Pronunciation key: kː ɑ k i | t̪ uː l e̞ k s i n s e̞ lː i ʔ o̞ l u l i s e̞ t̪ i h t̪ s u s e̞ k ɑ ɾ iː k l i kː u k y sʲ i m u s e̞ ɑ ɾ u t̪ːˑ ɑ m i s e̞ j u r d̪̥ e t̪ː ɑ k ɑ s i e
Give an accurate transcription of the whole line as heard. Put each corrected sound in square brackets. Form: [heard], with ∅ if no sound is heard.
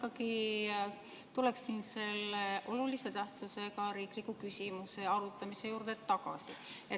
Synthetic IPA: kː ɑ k i | t̪ [u] l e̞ k s i n s e̞ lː [e] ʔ o̞ l u l i s e̞ t̪ [æ] h t̪ s u s e̞ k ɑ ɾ iː k l i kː u k y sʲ i m u s e̞ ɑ ɾ u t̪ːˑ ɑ m i s e̞ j [uː] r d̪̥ e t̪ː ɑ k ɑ s i e